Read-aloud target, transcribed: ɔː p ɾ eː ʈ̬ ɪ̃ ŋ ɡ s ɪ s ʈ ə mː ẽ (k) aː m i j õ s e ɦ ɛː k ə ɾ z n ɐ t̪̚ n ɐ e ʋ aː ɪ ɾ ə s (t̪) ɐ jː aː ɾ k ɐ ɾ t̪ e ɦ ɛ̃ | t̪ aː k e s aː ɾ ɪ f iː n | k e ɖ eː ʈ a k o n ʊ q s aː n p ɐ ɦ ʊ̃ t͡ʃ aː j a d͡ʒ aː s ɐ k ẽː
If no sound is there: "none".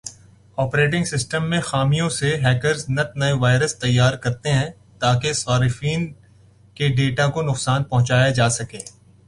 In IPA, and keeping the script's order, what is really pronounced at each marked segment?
x, t̪

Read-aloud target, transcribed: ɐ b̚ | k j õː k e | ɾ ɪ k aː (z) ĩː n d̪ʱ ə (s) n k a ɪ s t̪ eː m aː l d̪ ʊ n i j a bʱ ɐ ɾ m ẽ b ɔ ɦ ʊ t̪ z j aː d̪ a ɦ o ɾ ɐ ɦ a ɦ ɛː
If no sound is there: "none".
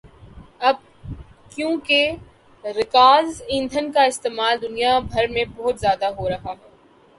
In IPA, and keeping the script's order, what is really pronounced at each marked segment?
z, none

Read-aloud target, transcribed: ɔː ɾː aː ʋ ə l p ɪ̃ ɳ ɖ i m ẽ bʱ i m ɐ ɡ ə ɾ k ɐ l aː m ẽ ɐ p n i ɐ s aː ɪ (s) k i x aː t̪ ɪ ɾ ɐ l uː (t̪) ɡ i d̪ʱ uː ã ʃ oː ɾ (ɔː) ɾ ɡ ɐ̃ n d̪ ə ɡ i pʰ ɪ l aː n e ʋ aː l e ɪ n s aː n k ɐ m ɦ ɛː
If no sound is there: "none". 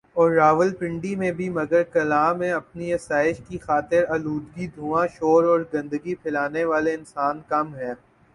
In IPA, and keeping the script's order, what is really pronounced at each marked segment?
ʃ, d̪, ɔː

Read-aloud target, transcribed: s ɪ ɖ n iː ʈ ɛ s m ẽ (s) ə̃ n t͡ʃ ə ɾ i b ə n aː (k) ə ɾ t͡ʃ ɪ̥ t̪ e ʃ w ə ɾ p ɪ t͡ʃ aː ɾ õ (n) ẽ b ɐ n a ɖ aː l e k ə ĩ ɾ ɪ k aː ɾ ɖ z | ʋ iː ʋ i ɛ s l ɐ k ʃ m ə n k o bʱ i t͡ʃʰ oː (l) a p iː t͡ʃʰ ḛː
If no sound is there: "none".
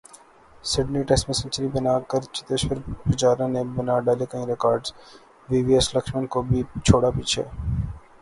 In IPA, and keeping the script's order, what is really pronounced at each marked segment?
s, k, n, ɽ

